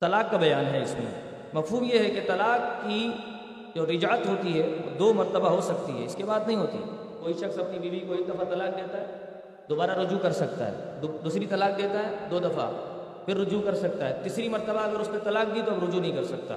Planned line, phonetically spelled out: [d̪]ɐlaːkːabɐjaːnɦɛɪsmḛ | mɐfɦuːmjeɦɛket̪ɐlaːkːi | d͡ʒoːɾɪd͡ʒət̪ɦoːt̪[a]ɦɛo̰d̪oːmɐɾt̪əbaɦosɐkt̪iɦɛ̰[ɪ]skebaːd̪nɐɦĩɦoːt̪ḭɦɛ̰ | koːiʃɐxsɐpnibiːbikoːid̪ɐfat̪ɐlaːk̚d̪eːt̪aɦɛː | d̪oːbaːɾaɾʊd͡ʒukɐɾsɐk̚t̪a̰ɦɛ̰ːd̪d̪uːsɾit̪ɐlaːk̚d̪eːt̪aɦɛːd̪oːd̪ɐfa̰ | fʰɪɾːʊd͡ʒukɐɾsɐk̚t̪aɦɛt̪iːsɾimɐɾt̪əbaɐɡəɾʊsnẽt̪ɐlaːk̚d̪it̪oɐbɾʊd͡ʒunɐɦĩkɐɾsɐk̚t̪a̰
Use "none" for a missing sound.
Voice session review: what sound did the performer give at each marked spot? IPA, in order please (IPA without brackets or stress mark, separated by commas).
t̪, i, ɪ